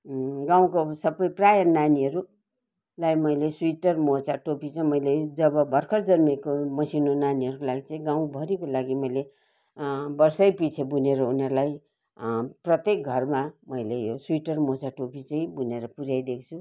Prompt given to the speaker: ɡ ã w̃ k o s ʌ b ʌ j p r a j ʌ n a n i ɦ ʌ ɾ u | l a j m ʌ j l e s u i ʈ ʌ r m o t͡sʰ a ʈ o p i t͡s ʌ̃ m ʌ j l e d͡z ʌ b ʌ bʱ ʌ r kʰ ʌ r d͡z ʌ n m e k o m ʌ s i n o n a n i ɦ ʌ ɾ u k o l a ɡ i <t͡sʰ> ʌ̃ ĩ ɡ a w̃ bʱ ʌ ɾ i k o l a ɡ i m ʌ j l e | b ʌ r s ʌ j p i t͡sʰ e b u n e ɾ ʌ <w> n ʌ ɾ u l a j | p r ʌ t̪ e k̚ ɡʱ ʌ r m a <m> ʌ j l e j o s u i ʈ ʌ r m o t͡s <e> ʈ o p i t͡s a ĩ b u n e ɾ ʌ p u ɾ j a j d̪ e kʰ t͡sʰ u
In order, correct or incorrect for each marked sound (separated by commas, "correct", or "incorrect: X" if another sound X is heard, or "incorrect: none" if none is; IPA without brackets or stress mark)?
incorrect: t͡s, incorrect: u, correct, incorrect: a